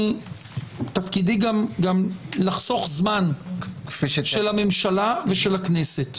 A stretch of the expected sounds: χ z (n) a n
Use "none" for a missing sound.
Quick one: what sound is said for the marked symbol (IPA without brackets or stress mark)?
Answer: m